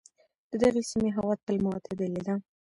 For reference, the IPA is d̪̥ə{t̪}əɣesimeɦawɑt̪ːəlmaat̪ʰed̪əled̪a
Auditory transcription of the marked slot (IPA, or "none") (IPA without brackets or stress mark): d̪